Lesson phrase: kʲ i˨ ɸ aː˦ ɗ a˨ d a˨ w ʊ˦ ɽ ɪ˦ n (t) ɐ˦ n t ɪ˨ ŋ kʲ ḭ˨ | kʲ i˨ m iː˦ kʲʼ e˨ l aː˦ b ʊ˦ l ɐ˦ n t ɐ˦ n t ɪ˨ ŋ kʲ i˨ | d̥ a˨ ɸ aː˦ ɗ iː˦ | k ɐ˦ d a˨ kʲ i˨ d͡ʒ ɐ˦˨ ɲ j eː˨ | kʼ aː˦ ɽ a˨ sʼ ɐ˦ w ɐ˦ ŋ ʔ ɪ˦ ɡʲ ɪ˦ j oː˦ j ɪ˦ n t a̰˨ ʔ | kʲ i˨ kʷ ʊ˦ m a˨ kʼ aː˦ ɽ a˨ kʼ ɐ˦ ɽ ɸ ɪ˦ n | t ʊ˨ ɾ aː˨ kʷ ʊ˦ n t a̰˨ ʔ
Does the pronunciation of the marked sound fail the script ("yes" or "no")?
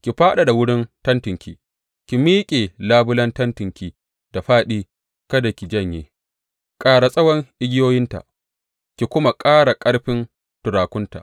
no